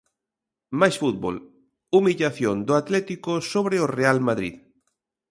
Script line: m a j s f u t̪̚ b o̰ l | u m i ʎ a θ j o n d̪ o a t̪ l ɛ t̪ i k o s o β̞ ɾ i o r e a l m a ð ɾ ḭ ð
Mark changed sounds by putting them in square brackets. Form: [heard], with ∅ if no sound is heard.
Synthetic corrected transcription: m a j s f u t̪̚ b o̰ l | u m i ʎ a θ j o n d̪ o a t̪ l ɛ t̪ i k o s o β̞ ɾ [e] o r e a l m a ð ɾ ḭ ð